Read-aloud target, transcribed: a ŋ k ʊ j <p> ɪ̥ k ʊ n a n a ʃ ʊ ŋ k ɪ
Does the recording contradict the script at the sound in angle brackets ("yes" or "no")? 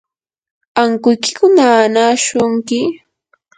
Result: yes